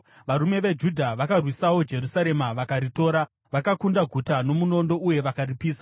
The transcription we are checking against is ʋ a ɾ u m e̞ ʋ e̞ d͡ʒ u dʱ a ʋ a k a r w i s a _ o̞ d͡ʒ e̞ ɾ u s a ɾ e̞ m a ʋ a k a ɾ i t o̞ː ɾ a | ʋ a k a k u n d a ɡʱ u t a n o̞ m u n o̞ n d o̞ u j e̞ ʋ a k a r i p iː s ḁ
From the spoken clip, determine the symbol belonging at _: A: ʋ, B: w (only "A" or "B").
B